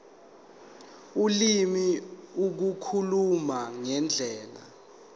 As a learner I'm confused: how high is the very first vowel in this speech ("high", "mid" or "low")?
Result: high